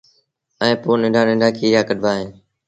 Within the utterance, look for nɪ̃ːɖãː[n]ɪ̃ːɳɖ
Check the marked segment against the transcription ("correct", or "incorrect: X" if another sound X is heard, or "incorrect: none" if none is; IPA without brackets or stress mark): correct